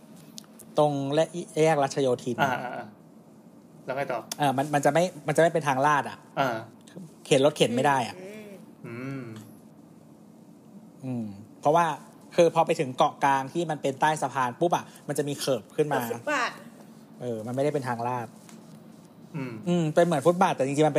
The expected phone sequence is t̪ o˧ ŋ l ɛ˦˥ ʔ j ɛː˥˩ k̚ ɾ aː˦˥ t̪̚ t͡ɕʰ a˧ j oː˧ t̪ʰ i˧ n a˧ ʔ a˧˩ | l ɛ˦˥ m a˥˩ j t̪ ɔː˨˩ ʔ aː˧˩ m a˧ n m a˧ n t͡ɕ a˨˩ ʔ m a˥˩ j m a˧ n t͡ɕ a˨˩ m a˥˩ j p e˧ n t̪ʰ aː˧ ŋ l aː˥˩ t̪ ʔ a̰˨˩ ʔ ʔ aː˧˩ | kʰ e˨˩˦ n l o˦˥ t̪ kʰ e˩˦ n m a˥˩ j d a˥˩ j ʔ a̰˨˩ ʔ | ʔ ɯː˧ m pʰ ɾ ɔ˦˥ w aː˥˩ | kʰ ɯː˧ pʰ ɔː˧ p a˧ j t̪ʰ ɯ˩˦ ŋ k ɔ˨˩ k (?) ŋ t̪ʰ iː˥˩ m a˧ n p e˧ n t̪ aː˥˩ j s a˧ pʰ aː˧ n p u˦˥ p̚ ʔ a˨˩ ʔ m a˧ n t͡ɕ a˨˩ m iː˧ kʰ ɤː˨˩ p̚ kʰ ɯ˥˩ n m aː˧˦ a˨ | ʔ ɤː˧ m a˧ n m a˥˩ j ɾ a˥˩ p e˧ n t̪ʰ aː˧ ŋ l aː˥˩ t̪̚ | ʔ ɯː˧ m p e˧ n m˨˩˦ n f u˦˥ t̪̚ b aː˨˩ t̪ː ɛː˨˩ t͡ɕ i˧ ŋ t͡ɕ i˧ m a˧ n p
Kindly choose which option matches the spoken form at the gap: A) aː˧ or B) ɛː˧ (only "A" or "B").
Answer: A